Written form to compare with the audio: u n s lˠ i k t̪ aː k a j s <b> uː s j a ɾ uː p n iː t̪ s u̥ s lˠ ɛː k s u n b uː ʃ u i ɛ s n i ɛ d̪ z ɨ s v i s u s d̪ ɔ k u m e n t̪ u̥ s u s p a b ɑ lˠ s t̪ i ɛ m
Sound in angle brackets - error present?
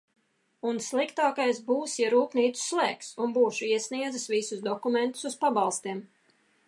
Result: no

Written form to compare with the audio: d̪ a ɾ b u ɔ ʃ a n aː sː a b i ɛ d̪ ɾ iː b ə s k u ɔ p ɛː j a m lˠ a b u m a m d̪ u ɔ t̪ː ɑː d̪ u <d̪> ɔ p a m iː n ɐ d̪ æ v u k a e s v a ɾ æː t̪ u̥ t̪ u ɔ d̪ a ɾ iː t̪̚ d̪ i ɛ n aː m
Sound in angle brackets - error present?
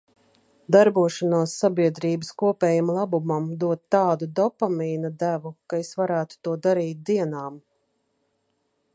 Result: no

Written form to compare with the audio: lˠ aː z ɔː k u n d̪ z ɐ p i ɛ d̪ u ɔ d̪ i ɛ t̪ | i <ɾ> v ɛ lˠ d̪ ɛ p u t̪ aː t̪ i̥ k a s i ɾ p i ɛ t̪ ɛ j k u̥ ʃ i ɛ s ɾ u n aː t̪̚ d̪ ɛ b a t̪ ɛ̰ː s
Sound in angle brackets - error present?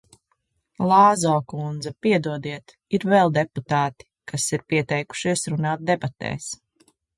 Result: no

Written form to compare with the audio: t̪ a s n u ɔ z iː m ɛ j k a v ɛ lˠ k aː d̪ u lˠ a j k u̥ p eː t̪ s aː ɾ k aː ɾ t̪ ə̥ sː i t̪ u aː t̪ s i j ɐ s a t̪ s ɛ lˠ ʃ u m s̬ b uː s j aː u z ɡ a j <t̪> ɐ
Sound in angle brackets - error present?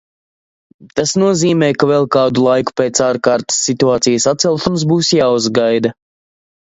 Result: yes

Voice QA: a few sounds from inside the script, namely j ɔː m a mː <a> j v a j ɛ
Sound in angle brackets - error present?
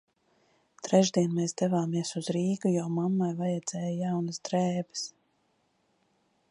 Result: no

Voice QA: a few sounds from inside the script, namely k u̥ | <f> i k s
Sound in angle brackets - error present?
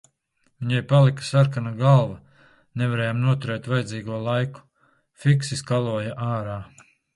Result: no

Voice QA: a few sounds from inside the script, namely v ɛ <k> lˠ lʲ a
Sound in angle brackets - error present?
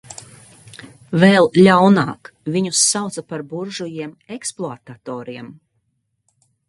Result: yes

